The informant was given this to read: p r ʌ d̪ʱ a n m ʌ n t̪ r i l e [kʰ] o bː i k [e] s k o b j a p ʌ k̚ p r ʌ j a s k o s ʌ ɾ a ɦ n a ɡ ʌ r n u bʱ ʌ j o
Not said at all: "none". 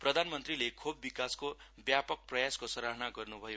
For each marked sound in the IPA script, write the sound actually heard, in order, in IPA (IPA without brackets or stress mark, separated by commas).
kʰ, a